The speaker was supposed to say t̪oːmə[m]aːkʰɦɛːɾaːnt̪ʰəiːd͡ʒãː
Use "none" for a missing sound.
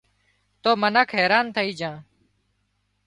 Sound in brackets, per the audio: n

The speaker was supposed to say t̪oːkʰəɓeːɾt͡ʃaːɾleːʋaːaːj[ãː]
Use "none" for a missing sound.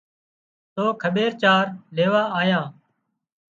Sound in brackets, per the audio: ãː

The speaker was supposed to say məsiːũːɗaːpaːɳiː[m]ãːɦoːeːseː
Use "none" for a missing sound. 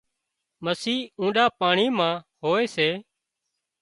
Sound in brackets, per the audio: m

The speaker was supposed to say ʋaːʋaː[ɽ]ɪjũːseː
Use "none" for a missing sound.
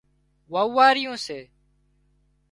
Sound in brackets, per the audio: ɾ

